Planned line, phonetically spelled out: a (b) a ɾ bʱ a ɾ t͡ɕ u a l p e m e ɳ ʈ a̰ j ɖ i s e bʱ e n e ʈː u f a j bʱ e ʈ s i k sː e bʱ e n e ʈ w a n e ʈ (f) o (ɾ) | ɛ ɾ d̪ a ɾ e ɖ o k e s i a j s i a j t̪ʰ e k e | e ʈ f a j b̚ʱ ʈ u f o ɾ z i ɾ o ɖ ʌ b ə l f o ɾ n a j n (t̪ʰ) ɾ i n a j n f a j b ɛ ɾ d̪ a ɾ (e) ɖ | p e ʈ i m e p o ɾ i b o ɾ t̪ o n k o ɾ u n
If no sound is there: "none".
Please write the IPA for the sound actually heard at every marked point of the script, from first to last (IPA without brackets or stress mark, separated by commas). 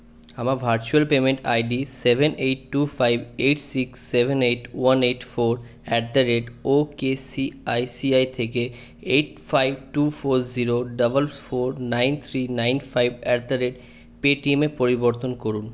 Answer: m, f, ɾ, t̪ʰ, e